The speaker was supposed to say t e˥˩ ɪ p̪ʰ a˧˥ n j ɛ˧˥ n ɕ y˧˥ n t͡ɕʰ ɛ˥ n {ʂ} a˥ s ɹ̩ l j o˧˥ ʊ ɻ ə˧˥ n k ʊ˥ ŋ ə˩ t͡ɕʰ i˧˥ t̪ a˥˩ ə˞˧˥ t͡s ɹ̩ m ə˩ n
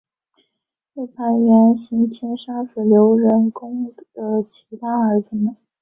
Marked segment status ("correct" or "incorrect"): correct